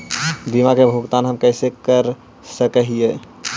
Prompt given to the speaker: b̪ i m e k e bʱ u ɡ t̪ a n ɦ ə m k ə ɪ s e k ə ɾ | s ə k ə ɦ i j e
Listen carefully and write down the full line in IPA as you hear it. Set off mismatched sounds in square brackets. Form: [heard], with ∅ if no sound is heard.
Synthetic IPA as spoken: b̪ i m [a] k e bʱ u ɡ t̪ a n ɦ ə m k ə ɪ s e k ə ɾ | s ə k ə ɦ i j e